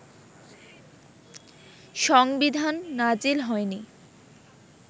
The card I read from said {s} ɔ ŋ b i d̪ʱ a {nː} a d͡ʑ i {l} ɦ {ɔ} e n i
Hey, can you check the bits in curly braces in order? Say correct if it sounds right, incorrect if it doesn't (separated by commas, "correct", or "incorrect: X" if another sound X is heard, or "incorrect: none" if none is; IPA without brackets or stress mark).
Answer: incorrect: ʃ, correct, correct, correct